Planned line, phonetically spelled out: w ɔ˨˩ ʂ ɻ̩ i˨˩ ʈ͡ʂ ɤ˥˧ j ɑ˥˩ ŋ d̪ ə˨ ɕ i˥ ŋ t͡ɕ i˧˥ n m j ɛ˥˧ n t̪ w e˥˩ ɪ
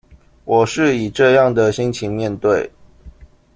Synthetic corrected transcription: w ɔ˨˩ ʂ ɻ̩ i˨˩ ʈ͡ʂ ɤ˥˧ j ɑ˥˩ ŋ d̪ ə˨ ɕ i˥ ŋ t͡ɕʰ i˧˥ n m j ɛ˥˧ n t̪ w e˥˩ ɪ